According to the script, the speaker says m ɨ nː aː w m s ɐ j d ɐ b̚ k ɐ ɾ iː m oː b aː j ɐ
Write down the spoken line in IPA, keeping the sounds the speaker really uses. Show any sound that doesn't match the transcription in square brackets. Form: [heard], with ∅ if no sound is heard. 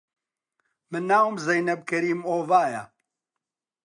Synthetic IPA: m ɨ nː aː w m [z] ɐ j [n] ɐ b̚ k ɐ ɾ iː m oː [v] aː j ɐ